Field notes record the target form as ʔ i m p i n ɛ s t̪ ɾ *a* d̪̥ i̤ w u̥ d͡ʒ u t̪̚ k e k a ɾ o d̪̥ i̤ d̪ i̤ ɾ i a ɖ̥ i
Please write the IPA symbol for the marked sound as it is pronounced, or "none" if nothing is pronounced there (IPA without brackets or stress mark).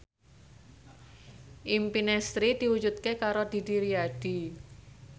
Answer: i